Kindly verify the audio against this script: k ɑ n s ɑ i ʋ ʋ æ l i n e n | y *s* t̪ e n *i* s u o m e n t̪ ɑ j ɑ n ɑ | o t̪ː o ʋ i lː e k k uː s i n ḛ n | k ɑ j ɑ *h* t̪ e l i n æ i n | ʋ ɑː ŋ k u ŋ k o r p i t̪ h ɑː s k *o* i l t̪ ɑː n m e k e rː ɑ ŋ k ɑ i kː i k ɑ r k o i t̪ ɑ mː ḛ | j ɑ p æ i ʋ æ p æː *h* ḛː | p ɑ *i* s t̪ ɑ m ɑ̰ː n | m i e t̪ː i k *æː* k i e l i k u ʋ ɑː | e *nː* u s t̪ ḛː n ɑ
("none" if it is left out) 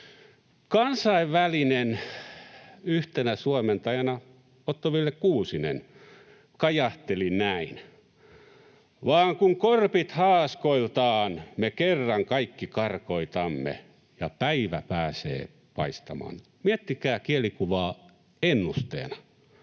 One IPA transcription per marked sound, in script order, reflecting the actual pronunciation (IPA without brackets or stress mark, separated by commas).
h, æ, h, o, s, i, æː, nː